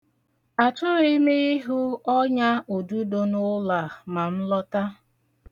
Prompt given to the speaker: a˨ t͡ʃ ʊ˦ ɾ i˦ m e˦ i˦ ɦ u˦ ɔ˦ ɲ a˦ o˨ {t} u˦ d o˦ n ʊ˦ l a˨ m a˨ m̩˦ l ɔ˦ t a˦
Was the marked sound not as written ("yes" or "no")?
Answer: yes